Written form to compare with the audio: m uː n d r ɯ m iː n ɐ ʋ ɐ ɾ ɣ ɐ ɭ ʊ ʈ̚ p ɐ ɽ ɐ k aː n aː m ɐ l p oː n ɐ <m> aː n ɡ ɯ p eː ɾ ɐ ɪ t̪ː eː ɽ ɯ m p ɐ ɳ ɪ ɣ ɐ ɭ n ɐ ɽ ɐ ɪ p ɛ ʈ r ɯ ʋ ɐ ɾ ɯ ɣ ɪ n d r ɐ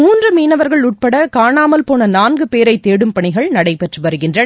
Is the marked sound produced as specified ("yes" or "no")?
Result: no